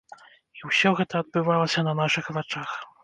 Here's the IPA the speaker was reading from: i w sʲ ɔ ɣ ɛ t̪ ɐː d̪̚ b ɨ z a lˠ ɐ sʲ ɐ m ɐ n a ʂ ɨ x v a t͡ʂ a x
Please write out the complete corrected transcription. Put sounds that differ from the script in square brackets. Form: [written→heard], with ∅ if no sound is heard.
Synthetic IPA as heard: i w sʲ ɔ ɣ ɛ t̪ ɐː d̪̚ b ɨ [z→v] a lˠ ɐ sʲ ɐ [m→n] ɐ n a ʂ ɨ x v a t͡ʂ a x